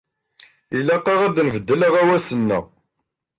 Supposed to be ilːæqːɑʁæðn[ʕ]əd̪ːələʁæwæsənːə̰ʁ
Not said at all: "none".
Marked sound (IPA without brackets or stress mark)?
v